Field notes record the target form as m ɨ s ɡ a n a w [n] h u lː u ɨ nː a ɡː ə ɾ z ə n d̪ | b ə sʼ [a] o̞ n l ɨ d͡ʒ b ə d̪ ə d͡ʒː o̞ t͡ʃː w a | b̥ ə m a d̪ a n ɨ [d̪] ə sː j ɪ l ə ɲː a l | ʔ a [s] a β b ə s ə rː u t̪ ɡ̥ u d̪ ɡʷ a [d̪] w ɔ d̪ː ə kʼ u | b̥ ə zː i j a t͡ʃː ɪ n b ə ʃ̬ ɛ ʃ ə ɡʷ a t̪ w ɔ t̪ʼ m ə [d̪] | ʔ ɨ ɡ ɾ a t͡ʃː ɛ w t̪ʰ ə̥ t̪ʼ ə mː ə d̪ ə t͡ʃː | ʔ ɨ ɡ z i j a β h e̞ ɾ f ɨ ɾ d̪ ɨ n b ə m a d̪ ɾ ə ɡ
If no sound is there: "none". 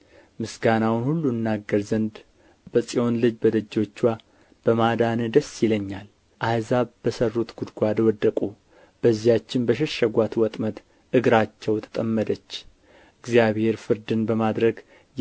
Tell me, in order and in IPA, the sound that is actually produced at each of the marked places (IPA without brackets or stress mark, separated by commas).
n, i, d̪, z, d̪, t̪